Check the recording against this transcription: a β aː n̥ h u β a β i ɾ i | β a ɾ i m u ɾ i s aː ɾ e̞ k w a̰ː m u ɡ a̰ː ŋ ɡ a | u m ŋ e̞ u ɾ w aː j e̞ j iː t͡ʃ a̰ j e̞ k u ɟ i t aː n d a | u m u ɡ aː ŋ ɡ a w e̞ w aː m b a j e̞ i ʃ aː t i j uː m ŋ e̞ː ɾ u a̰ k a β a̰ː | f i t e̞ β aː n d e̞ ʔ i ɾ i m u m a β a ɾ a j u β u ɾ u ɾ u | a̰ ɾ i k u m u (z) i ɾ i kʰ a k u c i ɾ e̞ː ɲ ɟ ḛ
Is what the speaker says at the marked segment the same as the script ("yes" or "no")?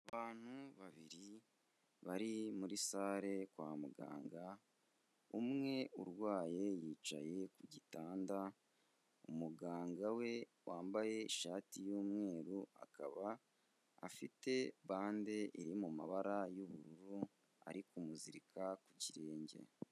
yes